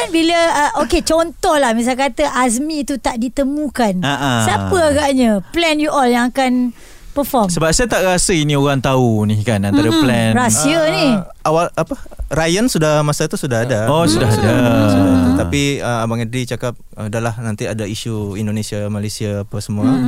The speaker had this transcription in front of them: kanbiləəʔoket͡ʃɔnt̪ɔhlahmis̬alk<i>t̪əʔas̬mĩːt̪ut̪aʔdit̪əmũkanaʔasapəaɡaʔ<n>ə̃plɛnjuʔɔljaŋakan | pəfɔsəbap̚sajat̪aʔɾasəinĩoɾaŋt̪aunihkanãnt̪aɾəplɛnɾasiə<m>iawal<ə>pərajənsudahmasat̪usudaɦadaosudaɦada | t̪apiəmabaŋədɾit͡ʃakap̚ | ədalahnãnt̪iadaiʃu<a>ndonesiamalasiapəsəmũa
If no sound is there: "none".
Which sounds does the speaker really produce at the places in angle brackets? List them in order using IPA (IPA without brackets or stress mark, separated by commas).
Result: a, ɲ, n, a, i